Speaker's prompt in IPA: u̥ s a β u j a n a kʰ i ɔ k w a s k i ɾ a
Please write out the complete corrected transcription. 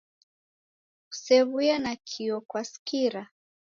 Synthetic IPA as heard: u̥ s ɛ β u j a n a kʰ i ɔ k w a s k i ɾ a